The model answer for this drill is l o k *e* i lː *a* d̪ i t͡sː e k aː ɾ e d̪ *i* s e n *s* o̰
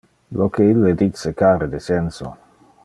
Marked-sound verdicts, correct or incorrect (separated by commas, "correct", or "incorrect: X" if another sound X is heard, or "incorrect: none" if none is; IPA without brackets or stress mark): correct, incorrect: e, incorrect: e, correct